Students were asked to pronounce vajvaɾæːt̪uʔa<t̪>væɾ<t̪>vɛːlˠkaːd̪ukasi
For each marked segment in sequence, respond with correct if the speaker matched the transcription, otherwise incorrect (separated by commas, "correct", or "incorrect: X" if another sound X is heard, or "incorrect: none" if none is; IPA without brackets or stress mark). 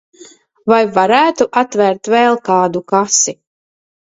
correct, correct